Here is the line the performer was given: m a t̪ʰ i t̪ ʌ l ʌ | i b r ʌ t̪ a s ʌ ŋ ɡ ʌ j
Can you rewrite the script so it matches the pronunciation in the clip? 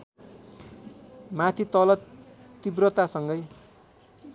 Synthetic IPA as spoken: m a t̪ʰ i t̪ ʌ l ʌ | i b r ʌ t̪ a s ʌ ŋ ɡ ʌ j

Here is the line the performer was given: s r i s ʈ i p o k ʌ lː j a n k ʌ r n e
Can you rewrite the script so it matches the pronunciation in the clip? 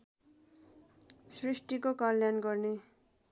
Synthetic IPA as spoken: s r i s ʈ i k o k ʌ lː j a n ɡ ʌ r n e

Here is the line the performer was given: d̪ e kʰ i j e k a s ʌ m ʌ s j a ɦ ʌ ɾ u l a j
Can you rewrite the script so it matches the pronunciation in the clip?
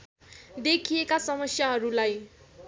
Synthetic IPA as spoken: d̪ e kʰ i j e k a s ʌ m ʌ s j a ɦ ʌ ɾ u l a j

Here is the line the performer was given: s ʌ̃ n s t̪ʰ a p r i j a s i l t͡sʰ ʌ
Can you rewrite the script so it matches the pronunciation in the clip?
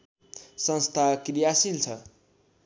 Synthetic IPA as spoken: s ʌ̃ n s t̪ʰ a k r i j a s i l t͡sʰ ʌ

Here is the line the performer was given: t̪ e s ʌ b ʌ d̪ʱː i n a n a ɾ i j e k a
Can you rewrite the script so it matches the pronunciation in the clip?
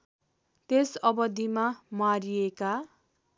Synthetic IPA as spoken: t̪ e s ʌ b ʌ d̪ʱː i m a m a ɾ i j e k a

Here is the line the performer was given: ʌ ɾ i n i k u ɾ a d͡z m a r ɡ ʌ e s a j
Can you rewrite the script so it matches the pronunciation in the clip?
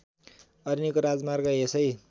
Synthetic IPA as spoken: ʌ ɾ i n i k o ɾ a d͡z m a r ɡ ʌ e s ʌ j

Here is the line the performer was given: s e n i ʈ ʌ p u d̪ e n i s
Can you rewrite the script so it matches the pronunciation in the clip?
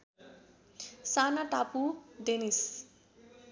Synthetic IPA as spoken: s a n a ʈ a p u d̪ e n i s

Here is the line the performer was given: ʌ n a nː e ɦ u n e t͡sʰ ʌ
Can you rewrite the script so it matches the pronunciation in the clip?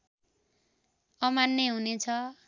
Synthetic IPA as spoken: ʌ m a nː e ɦ u n e t͡sʰ ʌ

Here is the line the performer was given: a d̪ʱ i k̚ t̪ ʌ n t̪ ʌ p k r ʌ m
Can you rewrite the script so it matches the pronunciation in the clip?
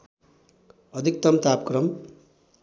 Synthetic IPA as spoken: ʌ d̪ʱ i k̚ t̪ ʌ m t̪ a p k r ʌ m

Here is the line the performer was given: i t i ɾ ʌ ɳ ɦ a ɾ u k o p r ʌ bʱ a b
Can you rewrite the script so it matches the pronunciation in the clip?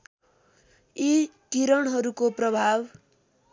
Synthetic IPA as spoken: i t i ɾ ʌ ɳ ɦ ʌ ɾ u k o p r ʌ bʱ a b

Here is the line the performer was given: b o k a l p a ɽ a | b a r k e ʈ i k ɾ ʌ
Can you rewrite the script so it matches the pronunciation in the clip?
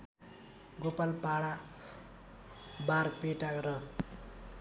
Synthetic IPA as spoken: ɡ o p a l p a ɽ a | b a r p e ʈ a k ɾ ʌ

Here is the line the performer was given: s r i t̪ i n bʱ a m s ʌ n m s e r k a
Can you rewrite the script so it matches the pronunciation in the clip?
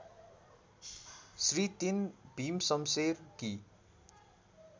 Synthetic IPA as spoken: s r i t̪ i n bʱ i m s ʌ m s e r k i

